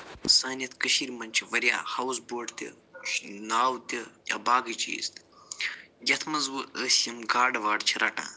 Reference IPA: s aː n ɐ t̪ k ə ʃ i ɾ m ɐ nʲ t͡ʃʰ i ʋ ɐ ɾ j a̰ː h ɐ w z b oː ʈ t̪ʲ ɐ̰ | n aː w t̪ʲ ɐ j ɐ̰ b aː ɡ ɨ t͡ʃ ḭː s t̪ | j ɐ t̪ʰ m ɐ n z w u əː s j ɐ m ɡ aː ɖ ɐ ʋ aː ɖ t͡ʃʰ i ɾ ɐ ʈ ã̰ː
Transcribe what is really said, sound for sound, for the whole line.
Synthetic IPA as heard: s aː n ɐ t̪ k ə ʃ i ɾ m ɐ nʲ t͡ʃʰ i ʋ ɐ ɾ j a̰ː h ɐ w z b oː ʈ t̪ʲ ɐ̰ | n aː w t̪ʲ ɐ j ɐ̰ b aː ɡ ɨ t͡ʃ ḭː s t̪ | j ɐ t̪ʰ m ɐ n z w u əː s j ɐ m ɡ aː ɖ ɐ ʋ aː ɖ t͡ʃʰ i ɾ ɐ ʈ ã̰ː